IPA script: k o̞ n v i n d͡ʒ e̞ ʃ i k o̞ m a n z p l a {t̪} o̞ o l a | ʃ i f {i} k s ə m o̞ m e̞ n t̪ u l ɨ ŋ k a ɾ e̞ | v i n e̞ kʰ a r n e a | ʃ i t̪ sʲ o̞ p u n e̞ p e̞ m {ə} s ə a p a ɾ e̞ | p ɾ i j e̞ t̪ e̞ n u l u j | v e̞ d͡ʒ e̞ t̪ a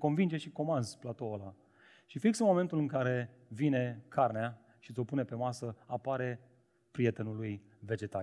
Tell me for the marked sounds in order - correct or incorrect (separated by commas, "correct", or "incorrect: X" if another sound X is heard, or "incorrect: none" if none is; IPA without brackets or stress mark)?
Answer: correct, correct, incorrect: a